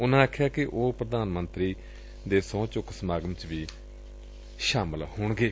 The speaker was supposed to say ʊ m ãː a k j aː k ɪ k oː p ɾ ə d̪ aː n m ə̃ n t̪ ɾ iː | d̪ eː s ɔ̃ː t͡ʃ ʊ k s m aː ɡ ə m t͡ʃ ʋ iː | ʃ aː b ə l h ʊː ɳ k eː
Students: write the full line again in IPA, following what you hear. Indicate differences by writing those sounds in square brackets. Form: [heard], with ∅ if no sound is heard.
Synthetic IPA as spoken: ʊ [n] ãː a [kʰ] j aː k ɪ [ʔ] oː p ɾ ə d̪ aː n m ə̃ n t̪ ɾ iː | d̪ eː s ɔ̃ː t͡ʃ ʊ k s m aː ɡ ə m t͡ʃ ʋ iː | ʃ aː [m] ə l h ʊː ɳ [ɡ] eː